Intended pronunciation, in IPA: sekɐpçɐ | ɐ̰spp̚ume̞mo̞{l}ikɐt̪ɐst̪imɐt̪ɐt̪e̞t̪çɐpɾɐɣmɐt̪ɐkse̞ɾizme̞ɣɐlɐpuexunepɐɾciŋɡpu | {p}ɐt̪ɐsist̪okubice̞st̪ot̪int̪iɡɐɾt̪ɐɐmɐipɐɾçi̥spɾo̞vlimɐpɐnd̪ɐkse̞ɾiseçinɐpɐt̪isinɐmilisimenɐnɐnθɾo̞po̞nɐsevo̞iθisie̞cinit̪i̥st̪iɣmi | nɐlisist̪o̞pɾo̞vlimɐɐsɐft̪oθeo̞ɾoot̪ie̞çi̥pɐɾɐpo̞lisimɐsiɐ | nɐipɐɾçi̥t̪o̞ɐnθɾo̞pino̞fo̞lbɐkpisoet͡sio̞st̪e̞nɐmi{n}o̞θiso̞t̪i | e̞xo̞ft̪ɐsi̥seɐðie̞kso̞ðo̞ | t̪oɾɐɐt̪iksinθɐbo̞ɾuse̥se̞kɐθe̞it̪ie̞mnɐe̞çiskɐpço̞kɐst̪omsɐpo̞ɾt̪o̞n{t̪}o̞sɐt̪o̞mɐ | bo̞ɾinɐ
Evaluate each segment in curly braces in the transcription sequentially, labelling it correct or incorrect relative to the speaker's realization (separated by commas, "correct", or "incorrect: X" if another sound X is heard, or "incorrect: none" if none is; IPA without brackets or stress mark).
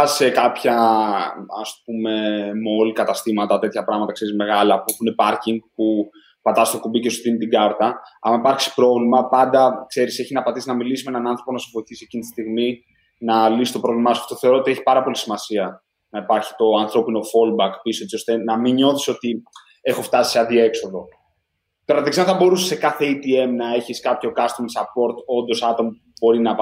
correct, correct, incorrect: ɲ, incorrect: d̪